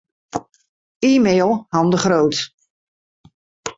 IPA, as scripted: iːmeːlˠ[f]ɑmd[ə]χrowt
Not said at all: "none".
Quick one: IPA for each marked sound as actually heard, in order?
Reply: h, ə

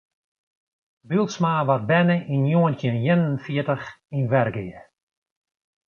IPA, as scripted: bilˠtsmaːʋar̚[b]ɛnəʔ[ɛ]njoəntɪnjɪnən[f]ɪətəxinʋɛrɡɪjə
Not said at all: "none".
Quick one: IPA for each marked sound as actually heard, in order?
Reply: b, i, f

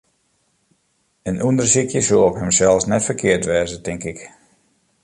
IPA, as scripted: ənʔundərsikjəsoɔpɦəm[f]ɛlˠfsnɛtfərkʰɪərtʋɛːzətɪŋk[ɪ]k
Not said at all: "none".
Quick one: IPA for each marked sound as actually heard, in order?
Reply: s, ɪ

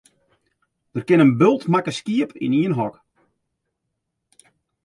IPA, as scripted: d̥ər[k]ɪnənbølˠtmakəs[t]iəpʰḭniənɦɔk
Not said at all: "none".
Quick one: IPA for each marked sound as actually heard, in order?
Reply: k, k

